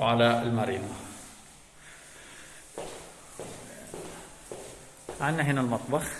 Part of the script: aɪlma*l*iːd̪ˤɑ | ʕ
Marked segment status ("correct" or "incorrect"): incorrect